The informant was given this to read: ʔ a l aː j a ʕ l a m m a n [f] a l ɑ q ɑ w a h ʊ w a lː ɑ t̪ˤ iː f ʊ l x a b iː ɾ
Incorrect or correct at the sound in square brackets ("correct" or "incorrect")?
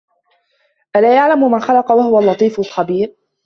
incorrect